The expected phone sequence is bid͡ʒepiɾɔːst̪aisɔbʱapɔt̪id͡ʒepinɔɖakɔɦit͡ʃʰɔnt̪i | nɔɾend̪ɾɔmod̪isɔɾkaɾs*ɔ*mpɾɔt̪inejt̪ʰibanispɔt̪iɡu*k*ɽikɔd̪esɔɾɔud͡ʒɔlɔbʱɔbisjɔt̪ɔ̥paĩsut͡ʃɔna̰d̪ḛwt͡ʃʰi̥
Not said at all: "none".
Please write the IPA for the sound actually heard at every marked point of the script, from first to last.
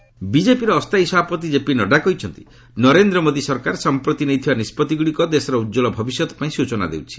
ɔ, none

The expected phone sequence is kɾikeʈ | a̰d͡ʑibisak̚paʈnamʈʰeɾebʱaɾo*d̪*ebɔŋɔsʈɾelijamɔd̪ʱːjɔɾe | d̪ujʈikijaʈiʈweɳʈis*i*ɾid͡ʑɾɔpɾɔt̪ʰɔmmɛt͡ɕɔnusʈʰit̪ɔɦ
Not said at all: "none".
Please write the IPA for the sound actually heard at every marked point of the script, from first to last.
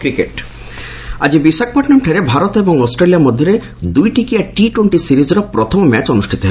t̪, i

